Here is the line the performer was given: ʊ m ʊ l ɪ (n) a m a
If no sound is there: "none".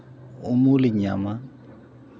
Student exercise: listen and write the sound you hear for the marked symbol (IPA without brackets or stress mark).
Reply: ɲ